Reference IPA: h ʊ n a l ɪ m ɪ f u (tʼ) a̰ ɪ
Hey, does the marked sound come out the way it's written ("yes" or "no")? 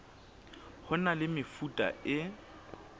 yes